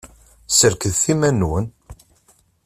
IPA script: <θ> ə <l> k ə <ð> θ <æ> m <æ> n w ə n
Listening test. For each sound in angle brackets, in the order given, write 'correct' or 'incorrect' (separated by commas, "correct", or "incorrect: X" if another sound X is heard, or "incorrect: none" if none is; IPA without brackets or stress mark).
incorrect: s, incorrect: ɾ, correct, incorrect: i, correct